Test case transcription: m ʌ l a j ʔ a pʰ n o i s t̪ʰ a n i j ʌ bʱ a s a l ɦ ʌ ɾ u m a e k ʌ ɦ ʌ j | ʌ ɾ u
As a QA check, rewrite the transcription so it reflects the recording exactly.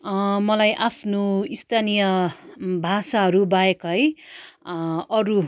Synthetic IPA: m ʌ l a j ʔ a pʰ n o i s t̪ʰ a n i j ʌ bʱ a s a ɦ ʌ ɾ u b a e k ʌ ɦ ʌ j | ʌ ɾ u